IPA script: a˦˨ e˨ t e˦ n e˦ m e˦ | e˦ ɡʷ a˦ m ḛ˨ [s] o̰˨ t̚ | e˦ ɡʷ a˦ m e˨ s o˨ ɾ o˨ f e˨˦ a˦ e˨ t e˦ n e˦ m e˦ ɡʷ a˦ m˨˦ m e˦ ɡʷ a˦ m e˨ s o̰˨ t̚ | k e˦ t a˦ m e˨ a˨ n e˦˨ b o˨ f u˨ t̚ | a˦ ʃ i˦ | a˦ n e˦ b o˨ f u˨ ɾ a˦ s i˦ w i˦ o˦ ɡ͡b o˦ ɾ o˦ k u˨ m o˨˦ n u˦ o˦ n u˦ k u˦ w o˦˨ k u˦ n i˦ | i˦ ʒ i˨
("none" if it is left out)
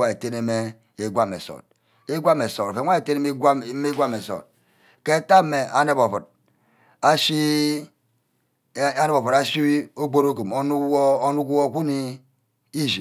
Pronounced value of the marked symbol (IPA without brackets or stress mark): s